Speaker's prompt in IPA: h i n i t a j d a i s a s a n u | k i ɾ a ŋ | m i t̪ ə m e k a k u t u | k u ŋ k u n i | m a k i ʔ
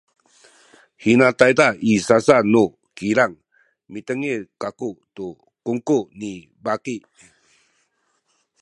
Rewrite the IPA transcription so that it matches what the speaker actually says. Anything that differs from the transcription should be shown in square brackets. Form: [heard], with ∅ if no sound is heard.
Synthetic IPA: h i n [a] t a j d a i s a s a n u | k i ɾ a ŋ | m i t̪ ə [ŋ] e k a k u t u | k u ŋ k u n i | [b] a k i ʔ